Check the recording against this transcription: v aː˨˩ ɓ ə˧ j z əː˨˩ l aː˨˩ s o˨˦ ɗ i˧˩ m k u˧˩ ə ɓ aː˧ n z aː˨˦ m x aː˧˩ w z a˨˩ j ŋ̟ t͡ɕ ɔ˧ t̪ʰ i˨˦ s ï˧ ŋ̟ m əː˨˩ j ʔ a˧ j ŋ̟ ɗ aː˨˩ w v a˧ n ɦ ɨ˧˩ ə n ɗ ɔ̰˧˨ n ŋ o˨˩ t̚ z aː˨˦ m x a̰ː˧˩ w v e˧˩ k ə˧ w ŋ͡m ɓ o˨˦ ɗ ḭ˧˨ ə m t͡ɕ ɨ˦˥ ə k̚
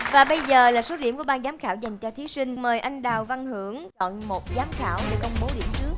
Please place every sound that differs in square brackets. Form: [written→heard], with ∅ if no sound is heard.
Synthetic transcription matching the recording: v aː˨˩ ɓ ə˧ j z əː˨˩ l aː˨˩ s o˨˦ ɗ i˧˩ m k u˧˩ ə ɓ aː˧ n z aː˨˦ m x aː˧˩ w z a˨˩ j ŋ̟ t͡ɕ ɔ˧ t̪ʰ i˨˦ s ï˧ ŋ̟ m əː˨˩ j ʔ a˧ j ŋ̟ ɗ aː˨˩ w v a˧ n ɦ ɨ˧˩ ə [n→ŋ] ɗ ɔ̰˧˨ n [ŋ→m] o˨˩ t̚ z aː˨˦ m x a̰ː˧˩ w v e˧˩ k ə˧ w ŋ͡m ɓ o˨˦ ɗ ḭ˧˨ ə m t͡ɕ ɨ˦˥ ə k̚